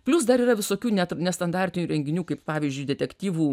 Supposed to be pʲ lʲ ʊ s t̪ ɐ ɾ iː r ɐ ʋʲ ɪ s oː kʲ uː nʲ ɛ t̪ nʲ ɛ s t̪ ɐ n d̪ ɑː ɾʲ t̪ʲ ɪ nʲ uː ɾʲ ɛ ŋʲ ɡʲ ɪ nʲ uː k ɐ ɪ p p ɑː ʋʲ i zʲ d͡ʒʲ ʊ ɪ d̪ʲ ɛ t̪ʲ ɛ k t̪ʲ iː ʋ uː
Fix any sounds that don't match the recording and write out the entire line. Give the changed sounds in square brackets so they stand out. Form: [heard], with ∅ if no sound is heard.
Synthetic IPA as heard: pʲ lʲ ʊ s [d̪] ɐ ɾ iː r ɐ ʋʲ ɪ s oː kʲ uː nʲ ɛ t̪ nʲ ɛ s t̪ ɐ n d̪ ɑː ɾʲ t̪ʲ ɪ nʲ uː ɾʲ ɛ ŋʲ ɡʲ ɪ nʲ uː k ɐ ɪ p p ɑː ʋʲ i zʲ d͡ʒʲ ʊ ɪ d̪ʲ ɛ t̪ʲ ɛ k t̪ʲ iː ʋ uː